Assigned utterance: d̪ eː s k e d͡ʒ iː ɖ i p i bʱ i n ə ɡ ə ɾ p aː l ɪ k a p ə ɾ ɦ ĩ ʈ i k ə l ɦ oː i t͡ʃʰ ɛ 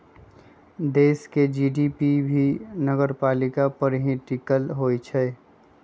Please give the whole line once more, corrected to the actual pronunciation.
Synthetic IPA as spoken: d̪ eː s k e d͡ʒ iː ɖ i p i bʱ i n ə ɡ ə ɾ p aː l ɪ k a p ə ɾ ɦ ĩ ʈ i k ə l ɦ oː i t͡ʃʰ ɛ